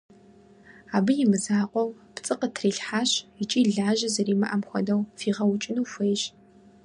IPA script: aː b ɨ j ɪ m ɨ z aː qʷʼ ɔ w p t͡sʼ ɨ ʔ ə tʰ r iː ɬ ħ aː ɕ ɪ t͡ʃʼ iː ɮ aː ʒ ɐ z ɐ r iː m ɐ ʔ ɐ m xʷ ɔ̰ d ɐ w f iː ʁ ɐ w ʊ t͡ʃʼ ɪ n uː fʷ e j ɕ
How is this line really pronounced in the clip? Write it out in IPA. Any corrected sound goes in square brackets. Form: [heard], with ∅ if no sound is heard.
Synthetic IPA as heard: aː b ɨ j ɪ m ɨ z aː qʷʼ ɔ w p t͡sʼ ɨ [q] ə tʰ r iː ɬ ħ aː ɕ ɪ t͡ʃʼ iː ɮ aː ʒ ɐ z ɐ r iː m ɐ ʔ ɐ m xʷ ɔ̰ d ɐ w f iː ʁ ɐ w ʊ t͡ʃʼ ɪ n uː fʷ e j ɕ